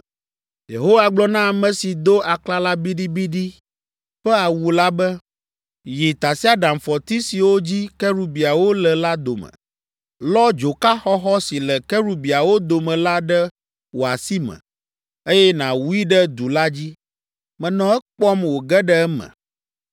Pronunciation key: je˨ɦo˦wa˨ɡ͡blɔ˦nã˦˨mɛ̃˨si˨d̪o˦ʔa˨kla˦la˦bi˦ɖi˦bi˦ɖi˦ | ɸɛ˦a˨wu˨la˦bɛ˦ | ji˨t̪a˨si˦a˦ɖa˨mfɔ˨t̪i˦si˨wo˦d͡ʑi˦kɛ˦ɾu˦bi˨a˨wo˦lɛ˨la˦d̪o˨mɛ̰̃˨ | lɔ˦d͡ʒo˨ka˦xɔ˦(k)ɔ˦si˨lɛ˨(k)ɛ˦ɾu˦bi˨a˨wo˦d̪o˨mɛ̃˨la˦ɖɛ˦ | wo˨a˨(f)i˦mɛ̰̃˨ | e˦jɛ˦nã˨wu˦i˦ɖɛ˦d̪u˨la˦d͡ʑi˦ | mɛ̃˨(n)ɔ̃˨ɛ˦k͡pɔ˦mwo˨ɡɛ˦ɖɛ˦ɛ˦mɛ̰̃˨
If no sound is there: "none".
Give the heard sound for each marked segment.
x, k, s, n

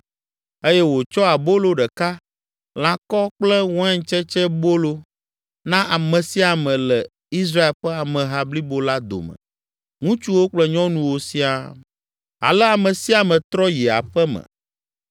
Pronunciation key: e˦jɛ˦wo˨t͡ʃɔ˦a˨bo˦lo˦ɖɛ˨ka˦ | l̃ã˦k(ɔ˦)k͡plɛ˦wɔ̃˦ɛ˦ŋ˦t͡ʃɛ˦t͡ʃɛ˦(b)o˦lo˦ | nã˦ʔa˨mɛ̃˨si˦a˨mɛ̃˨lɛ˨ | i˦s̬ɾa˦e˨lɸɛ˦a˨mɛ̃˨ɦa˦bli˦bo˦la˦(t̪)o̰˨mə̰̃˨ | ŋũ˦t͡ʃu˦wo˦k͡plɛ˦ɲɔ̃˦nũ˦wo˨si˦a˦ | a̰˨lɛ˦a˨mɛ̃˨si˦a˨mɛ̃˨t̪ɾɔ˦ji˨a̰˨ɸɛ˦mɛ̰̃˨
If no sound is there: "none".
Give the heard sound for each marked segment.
ɔ˦, b, d̪

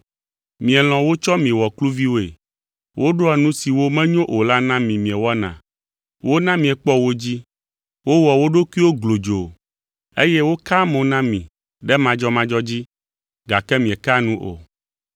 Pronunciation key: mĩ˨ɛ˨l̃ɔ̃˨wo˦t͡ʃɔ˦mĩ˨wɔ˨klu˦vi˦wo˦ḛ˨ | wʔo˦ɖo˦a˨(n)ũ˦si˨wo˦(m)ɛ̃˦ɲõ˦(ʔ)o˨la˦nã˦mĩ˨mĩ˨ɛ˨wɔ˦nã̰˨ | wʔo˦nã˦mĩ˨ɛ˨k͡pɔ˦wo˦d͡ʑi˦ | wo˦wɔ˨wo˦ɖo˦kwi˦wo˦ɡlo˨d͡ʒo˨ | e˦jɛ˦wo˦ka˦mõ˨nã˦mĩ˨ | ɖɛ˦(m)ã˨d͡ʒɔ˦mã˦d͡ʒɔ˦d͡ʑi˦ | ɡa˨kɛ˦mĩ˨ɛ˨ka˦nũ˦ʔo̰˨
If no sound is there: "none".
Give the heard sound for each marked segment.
n, m, ʔ, m

